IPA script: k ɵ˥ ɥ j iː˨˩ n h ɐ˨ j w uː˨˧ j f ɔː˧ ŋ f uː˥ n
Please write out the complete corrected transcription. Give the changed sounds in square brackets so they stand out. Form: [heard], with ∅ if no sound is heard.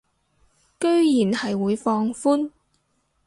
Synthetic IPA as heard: k ɵ˥ ɥ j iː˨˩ n h ɐ˨ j w uː˨˧ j f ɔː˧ ŋ f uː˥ n